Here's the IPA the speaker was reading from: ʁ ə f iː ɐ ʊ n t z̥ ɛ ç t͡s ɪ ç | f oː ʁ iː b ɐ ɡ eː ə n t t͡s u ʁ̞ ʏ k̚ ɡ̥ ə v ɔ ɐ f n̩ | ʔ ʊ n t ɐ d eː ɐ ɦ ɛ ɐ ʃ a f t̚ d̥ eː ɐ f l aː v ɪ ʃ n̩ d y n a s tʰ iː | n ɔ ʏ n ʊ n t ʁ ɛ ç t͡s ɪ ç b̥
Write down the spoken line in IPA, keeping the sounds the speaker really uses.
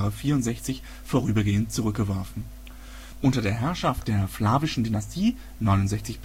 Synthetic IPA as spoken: ʁ ə f iː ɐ ʊ n t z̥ ɛ ç t͡s ɪ ç | f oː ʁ yː b ɐ ɡ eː ə n t t͡s u ʁ̞ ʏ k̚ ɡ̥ ə v ɔ ɐ f n̩ | ʔ ʊ n t ɐ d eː ɐ ɦ ɛ ɐ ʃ a f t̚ d̥ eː ɐ f l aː v ɪ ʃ n̩ d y n a s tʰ iː | n ɔ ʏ n ʊ n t z ɛ ç t͡s ɪ ç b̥